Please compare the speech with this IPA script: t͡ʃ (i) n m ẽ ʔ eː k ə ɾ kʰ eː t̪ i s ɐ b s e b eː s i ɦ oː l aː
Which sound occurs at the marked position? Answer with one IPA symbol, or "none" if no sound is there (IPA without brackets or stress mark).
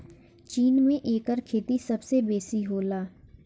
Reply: iː